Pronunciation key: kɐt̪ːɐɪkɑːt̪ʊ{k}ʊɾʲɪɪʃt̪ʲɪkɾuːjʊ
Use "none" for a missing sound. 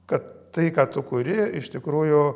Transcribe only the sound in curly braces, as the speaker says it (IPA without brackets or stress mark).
k